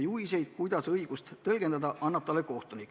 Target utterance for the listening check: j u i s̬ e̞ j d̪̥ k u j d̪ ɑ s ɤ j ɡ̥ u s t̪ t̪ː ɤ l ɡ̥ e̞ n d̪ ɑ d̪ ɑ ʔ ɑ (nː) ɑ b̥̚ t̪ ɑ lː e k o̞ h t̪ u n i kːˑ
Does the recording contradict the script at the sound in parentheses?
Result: no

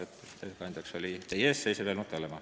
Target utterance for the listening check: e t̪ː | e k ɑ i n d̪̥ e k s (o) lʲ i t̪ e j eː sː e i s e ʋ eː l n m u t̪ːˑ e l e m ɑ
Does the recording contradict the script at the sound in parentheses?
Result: no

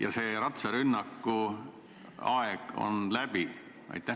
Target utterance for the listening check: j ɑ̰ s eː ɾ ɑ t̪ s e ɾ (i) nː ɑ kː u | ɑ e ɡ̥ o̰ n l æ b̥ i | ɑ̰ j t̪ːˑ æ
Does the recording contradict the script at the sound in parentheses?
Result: yes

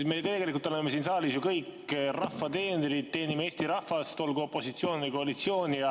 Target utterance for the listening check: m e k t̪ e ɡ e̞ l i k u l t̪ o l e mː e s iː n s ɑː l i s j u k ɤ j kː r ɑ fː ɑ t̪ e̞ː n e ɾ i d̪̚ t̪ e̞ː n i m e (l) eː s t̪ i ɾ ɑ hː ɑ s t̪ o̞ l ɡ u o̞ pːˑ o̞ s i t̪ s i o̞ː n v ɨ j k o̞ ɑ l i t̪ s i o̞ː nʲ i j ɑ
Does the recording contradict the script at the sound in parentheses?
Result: yes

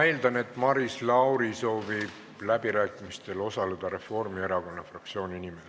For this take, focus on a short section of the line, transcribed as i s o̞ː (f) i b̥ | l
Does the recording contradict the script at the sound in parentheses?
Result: yes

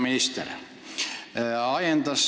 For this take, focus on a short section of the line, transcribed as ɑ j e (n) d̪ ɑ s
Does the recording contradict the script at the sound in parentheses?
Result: no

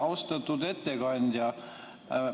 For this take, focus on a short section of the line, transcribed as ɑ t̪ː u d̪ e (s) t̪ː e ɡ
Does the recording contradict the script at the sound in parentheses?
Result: yes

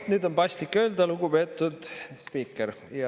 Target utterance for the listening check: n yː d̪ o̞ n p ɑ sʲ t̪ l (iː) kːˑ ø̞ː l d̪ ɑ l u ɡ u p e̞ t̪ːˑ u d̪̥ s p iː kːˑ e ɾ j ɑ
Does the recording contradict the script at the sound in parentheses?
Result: yes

